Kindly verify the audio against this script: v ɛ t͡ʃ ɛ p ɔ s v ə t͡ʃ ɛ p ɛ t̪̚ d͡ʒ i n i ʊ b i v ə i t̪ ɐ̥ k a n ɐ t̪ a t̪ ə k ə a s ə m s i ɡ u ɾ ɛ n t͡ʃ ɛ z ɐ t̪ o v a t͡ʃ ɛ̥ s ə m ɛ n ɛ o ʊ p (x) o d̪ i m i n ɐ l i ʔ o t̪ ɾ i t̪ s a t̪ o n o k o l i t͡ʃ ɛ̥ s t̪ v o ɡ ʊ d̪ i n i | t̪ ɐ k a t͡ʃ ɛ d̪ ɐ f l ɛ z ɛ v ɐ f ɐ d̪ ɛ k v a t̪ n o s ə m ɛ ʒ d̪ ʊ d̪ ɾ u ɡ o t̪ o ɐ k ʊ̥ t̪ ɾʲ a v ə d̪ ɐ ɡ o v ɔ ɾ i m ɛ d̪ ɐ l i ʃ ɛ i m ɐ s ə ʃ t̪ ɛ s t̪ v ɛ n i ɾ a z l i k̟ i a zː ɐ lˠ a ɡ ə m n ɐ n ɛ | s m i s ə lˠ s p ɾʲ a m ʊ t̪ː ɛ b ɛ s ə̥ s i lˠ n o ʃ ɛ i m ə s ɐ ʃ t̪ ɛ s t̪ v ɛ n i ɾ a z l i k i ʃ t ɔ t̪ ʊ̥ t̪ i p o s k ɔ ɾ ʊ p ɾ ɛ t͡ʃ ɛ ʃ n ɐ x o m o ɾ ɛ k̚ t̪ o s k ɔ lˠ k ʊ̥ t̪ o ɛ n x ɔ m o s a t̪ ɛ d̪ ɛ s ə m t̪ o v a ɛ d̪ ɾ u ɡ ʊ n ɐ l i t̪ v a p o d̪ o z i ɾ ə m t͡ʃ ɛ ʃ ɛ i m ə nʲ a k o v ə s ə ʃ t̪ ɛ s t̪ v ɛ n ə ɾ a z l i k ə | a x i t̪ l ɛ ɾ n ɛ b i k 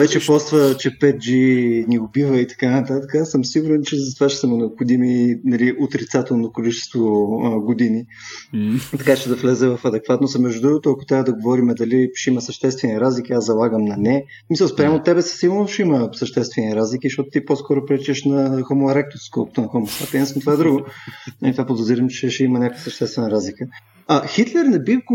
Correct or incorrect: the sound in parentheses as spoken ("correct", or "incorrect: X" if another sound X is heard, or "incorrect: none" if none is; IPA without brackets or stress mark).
correct